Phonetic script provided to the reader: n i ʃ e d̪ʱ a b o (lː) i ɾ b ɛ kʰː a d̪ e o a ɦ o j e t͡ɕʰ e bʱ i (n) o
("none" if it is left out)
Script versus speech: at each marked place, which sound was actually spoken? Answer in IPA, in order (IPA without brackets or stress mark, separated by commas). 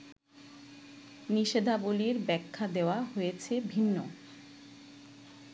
l, nː